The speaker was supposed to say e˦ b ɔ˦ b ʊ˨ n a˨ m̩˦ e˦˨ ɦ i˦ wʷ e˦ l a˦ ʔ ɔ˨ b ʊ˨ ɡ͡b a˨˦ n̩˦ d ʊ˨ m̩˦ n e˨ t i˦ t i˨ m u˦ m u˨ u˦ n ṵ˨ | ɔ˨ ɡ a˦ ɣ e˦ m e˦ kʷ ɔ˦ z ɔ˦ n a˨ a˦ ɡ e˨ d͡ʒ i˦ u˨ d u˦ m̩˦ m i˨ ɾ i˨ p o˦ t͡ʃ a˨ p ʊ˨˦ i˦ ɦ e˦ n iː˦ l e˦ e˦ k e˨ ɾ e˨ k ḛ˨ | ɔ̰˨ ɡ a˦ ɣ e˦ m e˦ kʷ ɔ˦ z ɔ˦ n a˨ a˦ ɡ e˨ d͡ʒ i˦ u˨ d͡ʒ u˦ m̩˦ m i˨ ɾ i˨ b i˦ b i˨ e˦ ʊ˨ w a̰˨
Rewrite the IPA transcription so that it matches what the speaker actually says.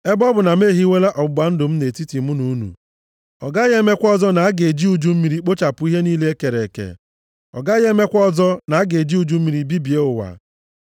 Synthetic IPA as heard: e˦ b ɔ˦ b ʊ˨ n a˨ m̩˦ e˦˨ ɦ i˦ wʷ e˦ l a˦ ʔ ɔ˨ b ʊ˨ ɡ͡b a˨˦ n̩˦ d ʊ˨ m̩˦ n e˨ t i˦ t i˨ m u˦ n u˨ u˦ n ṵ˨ | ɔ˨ ɡ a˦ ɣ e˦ m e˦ kʷ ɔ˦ z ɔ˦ n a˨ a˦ ɡ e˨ d͡ʒ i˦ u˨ d͡ʒ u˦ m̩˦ m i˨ ɾ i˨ k͡p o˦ t͡ʃ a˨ p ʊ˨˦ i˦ ɦ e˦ n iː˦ l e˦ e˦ k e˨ ɾ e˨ k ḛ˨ | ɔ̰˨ ɡ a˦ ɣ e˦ m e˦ kʷ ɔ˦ z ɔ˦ n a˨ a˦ ɡ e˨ d͡ʒ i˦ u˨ d͡ʒ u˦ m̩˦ m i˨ ɾ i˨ b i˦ b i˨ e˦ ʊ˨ w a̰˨